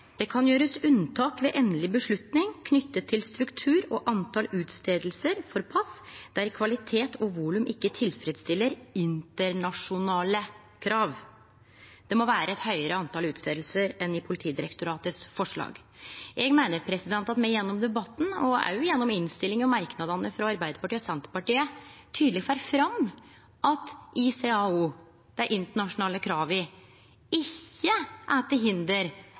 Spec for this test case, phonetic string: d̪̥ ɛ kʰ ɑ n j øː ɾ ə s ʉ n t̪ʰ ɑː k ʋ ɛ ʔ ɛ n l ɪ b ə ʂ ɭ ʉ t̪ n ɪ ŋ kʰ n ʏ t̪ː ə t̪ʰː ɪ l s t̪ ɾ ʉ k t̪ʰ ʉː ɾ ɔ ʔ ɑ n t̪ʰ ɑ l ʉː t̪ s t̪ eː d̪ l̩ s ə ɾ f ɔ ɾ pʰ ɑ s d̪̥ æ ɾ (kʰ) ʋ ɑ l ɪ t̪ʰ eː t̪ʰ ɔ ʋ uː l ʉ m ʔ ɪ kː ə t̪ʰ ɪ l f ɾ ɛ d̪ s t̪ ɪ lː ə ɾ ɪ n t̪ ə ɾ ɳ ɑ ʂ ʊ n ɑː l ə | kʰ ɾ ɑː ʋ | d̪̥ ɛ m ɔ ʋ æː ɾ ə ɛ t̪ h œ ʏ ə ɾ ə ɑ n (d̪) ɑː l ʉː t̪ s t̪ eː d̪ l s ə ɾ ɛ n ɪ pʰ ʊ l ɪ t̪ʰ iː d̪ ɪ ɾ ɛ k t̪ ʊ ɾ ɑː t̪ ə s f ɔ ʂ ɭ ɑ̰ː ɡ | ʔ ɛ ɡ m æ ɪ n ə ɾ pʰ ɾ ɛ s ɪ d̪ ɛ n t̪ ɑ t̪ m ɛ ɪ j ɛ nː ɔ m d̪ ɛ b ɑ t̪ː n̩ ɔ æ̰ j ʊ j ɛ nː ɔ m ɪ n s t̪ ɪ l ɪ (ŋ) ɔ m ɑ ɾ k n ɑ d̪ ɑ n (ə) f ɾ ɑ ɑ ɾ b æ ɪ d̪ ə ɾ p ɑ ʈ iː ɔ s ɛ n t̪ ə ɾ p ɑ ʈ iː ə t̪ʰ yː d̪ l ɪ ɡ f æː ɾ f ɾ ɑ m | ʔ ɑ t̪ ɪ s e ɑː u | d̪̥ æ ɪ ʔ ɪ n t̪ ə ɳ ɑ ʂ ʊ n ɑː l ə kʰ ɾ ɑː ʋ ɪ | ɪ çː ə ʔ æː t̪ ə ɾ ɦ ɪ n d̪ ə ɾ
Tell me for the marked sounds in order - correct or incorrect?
correct, incorrect: t̪, correct, correct

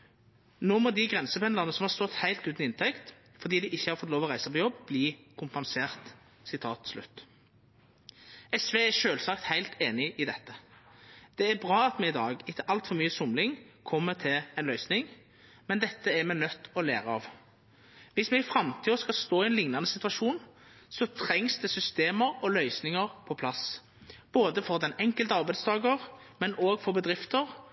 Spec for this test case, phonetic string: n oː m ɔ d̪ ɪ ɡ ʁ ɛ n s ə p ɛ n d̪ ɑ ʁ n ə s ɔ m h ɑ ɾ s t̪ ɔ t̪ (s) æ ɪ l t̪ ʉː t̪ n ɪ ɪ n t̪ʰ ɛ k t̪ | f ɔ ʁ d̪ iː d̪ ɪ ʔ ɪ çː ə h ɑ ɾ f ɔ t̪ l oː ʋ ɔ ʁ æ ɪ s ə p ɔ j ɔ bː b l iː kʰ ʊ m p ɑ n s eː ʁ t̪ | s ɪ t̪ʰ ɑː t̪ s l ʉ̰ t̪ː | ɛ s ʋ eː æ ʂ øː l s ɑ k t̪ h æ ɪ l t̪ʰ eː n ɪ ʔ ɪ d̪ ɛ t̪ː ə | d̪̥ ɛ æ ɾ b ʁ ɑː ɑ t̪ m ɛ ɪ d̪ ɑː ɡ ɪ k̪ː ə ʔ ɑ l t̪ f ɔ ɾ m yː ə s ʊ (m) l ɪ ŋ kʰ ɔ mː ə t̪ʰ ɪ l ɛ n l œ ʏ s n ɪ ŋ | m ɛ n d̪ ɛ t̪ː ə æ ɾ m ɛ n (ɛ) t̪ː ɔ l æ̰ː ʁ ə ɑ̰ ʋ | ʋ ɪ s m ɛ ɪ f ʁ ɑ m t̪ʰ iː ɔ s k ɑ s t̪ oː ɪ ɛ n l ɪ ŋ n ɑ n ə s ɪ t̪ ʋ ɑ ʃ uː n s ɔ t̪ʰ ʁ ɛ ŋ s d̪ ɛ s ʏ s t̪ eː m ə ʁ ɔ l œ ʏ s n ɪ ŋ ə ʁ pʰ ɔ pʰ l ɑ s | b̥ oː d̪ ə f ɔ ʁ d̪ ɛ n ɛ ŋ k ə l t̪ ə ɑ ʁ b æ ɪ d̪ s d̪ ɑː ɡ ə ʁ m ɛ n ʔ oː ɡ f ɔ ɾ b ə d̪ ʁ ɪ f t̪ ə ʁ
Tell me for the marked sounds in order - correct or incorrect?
incorrect: h, correct, incorrect: œ

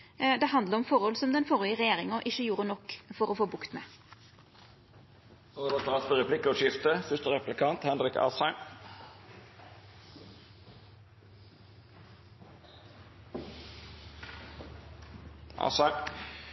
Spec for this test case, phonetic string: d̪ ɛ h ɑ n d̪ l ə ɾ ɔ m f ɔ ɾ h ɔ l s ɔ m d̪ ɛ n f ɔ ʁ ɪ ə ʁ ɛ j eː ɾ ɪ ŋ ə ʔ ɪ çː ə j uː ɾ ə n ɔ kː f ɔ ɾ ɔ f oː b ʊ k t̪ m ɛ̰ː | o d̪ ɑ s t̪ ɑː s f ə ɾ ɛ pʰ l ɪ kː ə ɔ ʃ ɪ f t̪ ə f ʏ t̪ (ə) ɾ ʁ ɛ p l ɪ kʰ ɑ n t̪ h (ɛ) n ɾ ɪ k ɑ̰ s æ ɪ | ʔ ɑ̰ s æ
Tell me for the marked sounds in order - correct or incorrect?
correct, correct

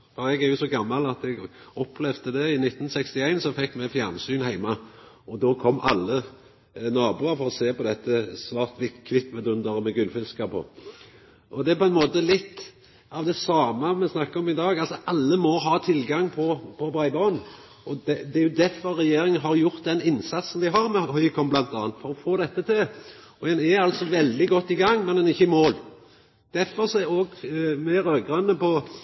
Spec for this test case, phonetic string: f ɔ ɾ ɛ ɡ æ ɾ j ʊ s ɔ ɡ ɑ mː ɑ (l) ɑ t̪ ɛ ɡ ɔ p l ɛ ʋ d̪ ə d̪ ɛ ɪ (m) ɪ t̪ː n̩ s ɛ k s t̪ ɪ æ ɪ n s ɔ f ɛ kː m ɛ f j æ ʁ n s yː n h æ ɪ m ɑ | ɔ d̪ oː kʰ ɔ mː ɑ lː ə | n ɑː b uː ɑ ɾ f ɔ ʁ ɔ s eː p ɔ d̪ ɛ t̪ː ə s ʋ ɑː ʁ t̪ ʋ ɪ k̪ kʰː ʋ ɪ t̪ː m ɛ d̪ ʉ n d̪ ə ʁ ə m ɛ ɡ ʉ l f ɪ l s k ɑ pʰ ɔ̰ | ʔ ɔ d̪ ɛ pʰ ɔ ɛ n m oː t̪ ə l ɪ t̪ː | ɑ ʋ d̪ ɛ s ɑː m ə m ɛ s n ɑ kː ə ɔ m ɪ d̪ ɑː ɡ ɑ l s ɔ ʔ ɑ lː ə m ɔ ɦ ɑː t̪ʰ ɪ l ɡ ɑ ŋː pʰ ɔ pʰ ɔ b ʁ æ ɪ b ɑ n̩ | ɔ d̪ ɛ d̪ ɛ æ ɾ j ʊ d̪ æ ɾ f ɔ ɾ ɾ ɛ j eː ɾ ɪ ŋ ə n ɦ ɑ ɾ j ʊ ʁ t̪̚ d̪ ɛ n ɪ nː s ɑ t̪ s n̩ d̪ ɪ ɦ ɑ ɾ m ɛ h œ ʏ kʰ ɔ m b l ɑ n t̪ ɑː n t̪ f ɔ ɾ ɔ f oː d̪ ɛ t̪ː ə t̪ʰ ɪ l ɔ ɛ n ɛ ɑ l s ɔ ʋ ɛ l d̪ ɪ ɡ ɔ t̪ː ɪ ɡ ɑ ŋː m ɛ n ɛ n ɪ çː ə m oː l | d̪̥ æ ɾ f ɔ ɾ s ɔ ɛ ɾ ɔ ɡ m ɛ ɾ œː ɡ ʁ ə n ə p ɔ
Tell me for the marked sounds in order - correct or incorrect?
correct, incorrect: n

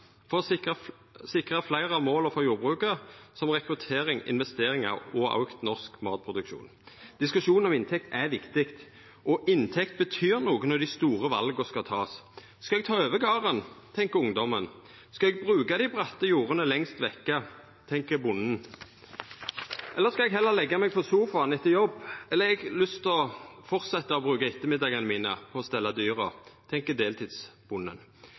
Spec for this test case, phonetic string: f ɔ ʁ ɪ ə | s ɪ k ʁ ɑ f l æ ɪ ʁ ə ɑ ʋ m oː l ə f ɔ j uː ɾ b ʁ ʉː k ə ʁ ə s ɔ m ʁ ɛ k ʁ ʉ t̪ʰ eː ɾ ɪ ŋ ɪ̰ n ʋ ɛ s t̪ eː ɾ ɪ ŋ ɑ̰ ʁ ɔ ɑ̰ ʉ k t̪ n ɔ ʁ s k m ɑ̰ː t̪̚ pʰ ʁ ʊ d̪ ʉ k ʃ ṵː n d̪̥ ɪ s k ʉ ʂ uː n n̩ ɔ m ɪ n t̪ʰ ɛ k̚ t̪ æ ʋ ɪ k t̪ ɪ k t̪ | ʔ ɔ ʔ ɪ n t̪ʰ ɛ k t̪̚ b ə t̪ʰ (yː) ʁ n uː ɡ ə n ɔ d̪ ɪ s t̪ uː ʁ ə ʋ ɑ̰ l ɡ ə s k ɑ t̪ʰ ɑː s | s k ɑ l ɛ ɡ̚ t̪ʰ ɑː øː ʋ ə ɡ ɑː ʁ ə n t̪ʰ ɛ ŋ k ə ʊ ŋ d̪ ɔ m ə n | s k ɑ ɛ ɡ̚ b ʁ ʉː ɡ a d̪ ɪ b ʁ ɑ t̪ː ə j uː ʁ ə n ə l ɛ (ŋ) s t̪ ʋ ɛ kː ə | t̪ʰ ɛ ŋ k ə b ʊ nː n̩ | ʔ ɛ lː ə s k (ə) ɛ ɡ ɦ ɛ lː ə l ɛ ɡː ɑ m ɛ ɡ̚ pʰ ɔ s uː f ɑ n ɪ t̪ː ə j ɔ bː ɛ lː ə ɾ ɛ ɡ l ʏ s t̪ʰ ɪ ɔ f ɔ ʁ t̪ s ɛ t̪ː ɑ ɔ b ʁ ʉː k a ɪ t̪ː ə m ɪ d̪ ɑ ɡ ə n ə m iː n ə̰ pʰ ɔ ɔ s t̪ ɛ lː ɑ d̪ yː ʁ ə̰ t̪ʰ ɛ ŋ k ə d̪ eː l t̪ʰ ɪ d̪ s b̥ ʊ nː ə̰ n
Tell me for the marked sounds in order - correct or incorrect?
correct, correct, incorrect: ɑ

